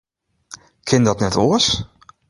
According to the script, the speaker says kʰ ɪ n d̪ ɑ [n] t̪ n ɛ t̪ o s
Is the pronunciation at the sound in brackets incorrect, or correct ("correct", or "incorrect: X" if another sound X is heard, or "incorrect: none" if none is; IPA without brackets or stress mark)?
incorrect: none